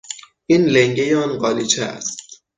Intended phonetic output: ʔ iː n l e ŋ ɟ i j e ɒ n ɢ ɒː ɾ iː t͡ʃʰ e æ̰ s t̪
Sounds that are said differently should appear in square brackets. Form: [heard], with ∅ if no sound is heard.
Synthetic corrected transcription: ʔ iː n l e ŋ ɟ [e] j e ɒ n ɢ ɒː [l] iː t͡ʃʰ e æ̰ s t̪